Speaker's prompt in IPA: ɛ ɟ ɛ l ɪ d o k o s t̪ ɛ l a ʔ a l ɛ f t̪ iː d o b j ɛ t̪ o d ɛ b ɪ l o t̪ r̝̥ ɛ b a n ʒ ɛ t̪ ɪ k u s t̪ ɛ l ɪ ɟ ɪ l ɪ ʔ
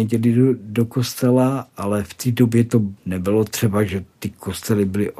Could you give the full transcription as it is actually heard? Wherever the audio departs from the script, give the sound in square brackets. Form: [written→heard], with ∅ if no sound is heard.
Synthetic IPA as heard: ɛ ɟ ɛ l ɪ d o k o s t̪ ɛ l a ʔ a l ɛ f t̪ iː d o b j ɛ t̪ o [d→n] ɛ b ɪ l o t̪ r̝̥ ɛ b a [n→∅] ʒ ɛ t̪ ɪ k [u→o] s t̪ ɛ l ɪ [ɟ→b] ɪ l ɪ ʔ